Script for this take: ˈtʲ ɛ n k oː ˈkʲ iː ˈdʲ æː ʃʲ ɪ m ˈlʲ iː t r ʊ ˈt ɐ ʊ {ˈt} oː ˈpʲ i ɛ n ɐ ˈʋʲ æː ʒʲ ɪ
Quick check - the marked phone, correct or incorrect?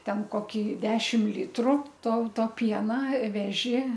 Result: correct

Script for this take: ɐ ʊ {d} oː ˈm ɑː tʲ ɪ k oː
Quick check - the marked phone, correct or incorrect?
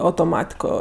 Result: incorrect: t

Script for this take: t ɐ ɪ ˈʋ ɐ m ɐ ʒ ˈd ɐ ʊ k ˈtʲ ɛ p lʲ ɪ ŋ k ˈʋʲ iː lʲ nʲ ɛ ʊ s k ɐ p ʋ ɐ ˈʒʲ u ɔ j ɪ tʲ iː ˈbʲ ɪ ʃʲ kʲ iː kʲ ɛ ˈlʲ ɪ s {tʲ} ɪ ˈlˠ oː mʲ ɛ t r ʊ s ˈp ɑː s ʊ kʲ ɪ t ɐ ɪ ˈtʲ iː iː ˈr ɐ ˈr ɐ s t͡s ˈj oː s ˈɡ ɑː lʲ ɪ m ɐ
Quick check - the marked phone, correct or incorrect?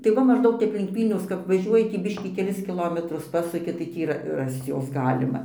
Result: incorrect: kʲ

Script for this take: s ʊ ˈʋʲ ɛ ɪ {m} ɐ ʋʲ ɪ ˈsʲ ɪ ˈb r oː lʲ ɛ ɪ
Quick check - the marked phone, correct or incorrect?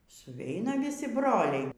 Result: incorrect: n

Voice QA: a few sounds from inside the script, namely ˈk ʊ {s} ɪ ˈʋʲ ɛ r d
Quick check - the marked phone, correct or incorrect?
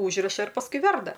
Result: incorrect: none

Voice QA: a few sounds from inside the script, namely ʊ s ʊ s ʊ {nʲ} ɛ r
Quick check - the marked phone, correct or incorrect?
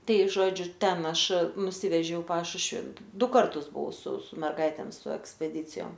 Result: incorrect: mʲ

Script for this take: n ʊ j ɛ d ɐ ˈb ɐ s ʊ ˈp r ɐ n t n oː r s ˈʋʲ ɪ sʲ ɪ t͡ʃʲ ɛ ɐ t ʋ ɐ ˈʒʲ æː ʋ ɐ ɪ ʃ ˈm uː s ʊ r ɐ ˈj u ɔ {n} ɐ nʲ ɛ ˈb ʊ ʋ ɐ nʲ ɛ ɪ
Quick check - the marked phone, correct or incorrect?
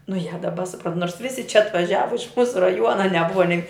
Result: correct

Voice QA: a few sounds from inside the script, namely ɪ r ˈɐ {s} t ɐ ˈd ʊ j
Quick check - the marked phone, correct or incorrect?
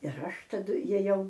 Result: incorrect: ʃ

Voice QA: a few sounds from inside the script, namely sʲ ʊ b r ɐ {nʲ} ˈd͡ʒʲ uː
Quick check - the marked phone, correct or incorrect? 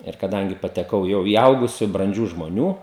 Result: correct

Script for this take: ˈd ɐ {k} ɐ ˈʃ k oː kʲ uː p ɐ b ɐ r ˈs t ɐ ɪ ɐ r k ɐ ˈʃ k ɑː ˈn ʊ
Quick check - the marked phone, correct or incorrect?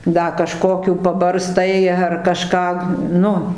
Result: correct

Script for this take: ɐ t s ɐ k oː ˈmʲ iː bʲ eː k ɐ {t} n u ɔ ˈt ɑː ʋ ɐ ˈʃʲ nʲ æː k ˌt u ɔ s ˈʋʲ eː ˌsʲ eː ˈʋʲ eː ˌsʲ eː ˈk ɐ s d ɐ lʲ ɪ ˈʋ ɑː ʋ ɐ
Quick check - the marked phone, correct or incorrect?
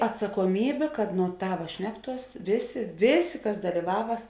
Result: correct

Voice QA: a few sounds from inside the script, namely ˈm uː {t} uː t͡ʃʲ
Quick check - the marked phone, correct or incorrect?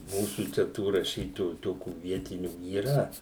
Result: incorrect: s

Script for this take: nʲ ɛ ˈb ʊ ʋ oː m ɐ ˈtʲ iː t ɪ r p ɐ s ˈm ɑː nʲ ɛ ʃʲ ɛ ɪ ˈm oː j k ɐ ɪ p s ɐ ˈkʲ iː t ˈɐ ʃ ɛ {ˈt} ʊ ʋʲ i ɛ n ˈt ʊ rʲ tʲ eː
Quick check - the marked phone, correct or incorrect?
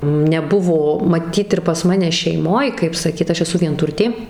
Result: incorrect: s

